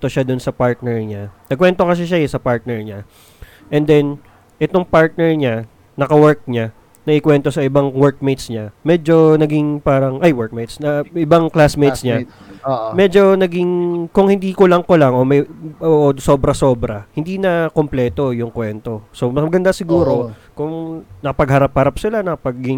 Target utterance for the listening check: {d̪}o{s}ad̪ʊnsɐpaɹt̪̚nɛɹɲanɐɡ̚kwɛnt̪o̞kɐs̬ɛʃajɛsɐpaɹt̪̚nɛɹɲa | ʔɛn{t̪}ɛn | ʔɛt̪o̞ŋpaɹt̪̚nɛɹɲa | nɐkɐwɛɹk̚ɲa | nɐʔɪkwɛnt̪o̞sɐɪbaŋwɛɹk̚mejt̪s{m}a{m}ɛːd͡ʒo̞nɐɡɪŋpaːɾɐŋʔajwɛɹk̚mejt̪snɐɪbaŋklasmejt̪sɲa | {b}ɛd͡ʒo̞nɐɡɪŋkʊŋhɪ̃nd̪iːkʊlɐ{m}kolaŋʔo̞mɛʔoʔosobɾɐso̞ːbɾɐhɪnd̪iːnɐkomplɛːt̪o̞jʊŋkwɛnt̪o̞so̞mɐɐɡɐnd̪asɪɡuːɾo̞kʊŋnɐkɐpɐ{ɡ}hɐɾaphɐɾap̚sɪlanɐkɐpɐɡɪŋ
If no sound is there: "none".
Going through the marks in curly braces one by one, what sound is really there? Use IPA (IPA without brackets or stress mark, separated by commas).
t̪, ʃ, d̪, ɲ, m, m, ŋ, ɡ